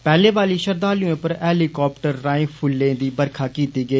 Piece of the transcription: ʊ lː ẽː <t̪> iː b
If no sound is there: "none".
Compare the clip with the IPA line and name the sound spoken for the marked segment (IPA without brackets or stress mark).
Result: d̪